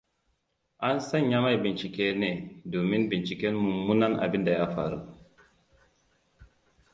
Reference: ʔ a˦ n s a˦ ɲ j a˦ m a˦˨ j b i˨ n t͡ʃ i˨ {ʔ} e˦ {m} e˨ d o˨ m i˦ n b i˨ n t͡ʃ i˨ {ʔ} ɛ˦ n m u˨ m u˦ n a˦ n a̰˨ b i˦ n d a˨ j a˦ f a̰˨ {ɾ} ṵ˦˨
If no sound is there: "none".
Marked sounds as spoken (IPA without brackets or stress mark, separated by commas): k, n, k, ɾ